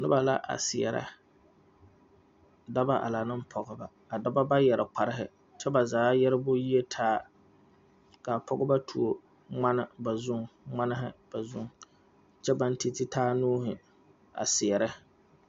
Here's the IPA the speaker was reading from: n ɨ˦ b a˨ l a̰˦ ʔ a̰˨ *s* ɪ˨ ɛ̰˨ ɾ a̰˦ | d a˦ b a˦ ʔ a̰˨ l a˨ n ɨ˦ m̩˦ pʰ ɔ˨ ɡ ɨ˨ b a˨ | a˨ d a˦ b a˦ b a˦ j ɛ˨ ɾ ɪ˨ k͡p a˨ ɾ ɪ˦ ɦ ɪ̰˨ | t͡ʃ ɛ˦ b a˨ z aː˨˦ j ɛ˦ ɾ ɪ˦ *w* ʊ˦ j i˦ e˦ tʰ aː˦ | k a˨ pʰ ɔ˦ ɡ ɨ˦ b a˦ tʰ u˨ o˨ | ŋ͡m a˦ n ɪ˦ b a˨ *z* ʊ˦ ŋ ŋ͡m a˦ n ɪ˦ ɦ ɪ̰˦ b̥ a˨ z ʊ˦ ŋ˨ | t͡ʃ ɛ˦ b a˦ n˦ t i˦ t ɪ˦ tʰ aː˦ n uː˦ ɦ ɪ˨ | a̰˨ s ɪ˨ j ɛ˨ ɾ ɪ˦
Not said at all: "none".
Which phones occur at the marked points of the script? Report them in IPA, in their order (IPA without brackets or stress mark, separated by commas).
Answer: s, b, z